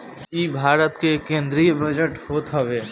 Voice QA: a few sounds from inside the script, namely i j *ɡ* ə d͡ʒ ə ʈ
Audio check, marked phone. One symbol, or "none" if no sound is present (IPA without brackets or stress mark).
b